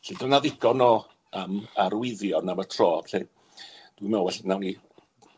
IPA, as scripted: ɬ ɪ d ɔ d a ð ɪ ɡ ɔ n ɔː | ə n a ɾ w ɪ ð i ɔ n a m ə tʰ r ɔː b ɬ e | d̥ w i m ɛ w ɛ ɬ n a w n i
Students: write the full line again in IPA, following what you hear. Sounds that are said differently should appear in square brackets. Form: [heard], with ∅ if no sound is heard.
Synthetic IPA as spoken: ɬ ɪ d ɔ [n] a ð ɪ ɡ ɔ n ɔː | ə [m] a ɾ w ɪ ð [j] ɔ n a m ə tʰ r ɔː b ɬ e | d̥ w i m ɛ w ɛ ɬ n a w n i